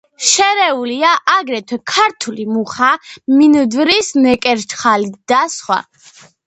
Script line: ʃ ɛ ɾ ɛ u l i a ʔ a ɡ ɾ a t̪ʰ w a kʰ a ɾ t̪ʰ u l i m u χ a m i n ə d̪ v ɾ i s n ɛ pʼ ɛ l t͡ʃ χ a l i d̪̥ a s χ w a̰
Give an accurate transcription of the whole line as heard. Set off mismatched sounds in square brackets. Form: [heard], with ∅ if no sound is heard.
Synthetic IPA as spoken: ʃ ɛ ɾ ɛ u l i a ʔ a ɡ ɾ [ɛ] t̪ʰ w [ɛ] kʰ a ɾ t̪ʰ u l i m u χ a m i n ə d̪ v ɾ i s n ɛ [kʼ] ɛ [ɾ] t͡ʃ χ a l i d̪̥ a s χ w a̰